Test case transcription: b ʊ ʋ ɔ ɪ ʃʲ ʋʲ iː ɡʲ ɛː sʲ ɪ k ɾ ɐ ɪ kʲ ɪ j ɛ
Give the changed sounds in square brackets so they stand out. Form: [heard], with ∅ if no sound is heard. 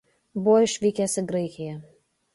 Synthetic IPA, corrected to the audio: b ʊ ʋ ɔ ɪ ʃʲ ʋʲ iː [kʲ] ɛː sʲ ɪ [ɡ] ɾ ɐ ɪ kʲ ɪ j ɛ